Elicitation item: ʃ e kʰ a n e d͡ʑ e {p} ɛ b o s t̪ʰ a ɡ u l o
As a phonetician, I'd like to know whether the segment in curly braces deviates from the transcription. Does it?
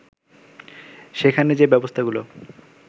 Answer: yes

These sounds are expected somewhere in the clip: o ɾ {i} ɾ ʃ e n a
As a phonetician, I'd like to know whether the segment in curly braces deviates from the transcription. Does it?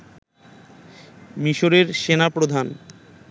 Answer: yes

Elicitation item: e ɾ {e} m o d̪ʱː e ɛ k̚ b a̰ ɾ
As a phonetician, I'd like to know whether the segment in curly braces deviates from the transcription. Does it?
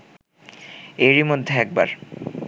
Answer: yes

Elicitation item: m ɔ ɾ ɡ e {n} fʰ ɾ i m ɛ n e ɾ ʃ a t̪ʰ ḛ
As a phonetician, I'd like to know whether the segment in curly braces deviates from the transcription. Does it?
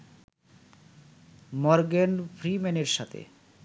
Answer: no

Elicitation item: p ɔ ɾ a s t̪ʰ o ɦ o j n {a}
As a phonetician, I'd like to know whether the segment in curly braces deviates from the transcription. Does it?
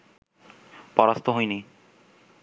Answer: yes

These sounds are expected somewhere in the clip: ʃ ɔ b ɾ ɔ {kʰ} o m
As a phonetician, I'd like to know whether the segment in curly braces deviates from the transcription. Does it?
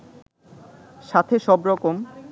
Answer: yes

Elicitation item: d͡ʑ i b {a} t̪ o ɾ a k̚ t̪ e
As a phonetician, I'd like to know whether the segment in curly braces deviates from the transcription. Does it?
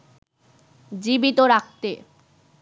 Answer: yes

